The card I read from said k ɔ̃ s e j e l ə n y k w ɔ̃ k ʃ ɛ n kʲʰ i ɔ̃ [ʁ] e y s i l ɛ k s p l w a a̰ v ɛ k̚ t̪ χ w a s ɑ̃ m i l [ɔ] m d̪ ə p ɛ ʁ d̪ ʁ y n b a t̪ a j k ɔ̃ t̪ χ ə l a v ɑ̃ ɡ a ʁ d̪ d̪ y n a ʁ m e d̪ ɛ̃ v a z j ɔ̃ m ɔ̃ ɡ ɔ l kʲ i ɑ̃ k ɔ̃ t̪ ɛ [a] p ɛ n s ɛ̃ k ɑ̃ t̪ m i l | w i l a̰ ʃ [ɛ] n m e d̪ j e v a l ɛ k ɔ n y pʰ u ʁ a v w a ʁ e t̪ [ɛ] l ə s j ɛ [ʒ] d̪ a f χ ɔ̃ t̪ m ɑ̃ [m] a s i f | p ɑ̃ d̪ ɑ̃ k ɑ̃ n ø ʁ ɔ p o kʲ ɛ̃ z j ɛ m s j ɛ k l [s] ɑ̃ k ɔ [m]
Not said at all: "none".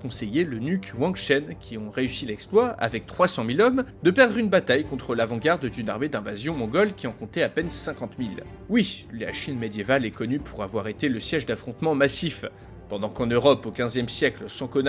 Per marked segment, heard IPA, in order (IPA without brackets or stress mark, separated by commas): ʁ, ɔ, a, i, e, ʒ, m, s, n